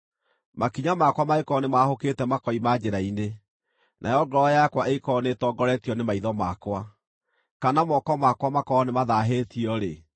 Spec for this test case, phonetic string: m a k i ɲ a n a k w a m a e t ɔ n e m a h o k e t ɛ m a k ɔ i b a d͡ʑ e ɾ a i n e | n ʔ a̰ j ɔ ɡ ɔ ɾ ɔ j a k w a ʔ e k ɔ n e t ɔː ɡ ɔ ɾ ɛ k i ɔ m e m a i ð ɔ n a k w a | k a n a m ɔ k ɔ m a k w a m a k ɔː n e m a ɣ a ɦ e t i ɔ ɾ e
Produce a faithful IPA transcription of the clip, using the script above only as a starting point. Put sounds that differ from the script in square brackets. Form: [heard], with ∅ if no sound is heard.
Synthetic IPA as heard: m a k i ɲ a [m] a k w a m a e [k] ɔ n e m a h o k e t ɛ m a k ɔ i [m] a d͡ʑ e ɾ a i n e | n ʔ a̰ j ɔ ɡ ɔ ɾ ɔ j a k w a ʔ e k ɔ n e t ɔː ɡ ɔ ɾ ɛ [t] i ɔ [n] e m a i ð ɔ [m] a k w a | k a n a m ɔ k ɔ m a k w a m a k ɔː n e m a [ð] a ɦ e t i ɔ ɾ e